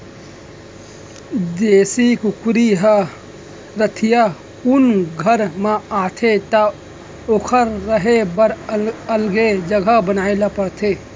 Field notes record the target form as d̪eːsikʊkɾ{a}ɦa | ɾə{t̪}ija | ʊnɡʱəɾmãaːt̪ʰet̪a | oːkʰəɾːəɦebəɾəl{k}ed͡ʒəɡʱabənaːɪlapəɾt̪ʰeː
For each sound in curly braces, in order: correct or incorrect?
incorrect, incorrect, incorrect

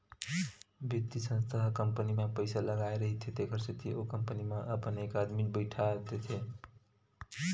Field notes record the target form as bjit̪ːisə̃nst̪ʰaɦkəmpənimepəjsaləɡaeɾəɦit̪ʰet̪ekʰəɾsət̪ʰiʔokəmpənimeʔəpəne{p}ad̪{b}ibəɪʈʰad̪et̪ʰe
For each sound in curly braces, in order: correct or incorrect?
incorrect, incorrect

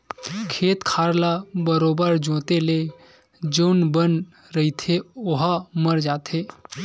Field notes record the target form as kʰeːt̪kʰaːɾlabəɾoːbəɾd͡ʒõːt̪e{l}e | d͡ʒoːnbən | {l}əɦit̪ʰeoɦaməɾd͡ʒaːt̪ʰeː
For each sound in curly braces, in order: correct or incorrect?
correct, incorrect

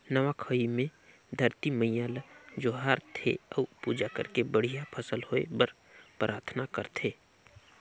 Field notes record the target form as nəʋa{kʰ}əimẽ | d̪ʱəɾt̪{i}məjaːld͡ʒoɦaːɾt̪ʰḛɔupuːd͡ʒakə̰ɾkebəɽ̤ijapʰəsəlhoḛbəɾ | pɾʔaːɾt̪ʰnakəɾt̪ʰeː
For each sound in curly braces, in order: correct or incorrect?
correct, correct

